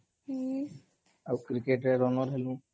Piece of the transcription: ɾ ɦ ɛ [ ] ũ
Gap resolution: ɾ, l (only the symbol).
l